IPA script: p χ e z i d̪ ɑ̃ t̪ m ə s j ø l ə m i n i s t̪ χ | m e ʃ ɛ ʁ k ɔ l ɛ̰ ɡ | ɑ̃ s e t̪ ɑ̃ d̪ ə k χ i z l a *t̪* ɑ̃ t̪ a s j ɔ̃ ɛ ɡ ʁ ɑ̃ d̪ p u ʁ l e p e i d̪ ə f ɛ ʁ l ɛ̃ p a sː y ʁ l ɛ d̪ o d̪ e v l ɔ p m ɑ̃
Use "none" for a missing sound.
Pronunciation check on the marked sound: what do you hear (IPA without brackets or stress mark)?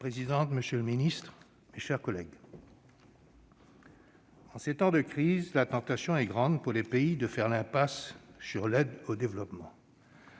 t̪